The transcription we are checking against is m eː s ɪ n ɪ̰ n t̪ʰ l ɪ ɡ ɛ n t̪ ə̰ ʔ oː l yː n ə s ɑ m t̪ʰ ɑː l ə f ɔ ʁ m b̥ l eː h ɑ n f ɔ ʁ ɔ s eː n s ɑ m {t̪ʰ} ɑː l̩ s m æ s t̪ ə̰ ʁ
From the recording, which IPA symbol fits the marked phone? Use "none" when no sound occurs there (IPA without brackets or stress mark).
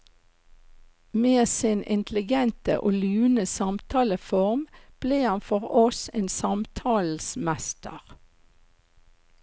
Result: t̪ʰ